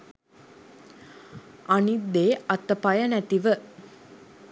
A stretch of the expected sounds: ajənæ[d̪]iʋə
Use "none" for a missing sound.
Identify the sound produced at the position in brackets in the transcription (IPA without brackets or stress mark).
t̪